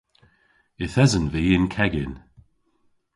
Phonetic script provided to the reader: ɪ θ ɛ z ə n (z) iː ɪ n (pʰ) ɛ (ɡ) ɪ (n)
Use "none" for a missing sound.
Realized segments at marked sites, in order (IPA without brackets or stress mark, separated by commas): v, kʰ, ɡ, n